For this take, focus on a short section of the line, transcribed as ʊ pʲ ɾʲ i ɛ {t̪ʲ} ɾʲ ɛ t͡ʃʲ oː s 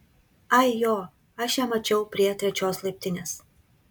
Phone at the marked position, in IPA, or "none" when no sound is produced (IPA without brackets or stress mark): t̪ʲ